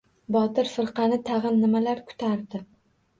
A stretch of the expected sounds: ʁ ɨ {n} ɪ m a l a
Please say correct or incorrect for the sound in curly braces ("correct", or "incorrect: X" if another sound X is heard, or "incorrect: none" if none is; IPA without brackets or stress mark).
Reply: incorrect: nː